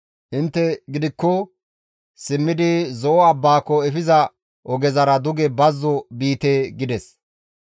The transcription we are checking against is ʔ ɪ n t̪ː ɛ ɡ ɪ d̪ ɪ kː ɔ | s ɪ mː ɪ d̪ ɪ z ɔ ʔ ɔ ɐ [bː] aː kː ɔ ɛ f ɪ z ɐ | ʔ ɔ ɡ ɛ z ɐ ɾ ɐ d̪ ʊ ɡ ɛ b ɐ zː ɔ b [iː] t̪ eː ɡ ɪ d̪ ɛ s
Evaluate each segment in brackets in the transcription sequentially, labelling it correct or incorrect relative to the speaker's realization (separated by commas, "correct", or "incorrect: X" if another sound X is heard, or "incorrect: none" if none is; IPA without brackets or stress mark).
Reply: correct, correct